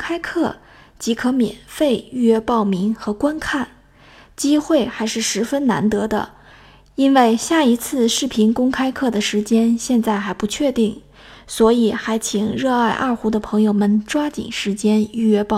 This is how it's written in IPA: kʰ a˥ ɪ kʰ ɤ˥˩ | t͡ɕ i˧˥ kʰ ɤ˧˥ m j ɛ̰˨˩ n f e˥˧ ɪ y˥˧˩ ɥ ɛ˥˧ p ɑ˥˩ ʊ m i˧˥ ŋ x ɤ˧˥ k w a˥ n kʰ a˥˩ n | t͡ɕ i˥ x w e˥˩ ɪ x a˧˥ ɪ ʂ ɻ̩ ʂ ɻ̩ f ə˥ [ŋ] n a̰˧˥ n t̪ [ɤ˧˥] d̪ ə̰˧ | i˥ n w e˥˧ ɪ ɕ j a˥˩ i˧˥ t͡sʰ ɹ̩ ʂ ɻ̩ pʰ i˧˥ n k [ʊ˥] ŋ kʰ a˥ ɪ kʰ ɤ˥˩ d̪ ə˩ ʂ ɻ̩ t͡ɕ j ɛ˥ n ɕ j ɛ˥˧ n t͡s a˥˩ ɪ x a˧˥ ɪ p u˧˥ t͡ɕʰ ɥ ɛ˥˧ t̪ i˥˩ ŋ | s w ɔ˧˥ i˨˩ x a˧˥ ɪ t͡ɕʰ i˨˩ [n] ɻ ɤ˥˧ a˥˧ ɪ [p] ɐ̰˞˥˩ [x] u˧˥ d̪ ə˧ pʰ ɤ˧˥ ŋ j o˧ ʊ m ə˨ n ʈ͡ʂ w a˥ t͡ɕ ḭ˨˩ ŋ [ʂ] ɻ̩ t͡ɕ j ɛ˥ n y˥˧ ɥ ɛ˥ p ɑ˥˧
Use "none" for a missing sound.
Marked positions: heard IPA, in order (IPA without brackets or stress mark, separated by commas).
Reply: n, ɤ˧˥, ʊ˥, ŋ, ʔ, x, ʂ